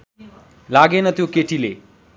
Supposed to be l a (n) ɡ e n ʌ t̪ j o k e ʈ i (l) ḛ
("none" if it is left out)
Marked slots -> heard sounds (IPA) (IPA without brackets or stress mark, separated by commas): none, l